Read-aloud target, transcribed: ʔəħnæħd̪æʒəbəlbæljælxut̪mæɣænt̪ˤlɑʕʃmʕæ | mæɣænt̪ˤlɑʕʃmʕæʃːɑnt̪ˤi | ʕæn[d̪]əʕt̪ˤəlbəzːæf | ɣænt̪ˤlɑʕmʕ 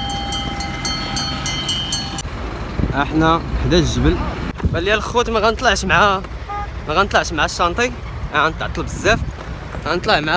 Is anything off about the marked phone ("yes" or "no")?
yes